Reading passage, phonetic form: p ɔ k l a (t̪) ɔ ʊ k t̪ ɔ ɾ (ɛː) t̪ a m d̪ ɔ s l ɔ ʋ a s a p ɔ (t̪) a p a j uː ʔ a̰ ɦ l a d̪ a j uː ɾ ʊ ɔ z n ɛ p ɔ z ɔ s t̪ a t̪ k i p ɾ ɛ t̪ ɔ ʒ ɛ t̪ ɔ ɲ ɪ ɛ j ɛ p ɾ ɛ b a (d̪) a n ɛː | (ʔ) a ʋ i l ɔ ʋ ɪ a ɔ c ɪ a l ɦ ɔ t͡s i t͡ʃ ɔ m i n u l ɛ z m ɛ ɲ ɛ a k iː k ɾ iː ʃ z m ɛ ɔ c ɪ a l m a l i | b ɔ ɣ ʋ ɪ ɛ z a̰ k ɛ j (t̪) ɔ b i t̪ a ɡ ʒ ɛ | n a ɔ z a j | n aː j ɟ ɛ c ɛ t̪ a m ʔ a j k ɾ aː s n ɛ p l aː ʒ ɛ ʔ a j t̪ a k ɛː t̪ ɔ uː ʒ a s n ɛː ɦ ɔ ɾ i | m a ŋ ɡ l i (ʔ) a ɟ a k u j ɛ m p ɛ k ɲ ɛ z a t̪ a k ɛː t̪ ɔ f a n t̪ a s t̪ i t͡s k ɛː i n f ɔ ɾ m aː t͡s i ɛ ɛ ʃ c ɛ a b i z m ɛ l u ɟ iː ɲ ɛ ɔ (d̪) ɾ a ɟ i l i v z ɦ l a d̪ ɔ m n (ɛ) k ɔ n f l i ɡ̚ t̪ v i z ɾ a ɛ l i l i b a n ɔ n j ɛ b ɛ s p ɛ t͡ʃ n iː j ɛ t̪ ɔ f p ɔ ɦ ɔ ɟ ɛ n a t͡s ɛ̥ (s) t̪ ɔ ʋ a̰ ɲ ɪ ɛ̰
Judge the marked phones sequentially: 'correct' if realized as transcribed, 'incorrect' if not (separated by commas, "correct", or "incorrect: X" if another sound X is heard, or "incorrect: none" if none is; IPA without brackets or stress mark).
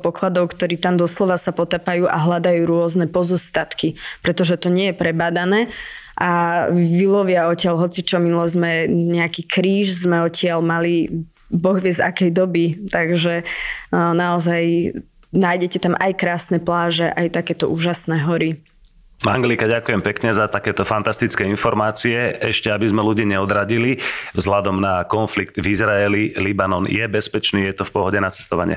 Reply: incorrect: d̪, incorrect: iː, correct, correct, correct, incorrect: d̪, incorrect: k, correct, incorrect: a, correct